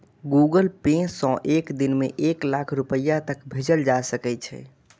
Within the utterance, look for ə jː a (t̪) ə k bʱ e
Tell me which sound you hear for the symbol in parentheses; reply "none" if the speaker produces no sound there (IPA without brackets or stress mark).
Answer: t̪